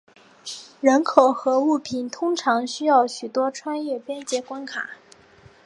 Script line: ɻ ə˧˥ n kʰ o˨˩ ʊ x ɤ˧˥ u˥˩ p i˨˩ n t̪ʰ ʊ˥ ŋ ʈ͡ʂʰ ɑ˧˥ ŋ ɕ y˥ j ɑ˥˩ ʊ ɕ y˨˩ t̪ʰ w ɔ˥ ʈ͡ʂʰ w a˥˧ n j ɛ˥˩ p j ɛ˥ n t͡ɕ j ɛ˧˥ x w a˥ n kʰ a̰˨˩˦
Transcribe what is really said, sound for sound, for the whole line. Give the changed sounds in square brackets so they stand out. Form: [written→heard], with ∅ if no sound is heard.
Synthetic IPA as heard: ɻ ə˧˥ n kʰ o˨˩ ʊ x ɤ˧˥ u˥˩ [p→pʰ] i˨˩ n t̪ʰ ʊ˥ ŋ ʈ͡ʂʰ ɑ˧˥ ŋ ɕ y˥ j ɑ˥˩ ʊ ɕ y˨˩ [t̪ʰ→t̪] w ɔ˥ ʈ͡ʂʰ w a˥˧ n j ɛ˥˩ p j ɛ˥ n t͡ɕ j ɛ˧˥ [x→k] w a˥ n kʰ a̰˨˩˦